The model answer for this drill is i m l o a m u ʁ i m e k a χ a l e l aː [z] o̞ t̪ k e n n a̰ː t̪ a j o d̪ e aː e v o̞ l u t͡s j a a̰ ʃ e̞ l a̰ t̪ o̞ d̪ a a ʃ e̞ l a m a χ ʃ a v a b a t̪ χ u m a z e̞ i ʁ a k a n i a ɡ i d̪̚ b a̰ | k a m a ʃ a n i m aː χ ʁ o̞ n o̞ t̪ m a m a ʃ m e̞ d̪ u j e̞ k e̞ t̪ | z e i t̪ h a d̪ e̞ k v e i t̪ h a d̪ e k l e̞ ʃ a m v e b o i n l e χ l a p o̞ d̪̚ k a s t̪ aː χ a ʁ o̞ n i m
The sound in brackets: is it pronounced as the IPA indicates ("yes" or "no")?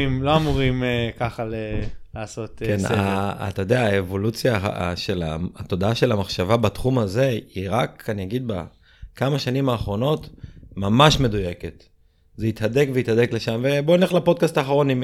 no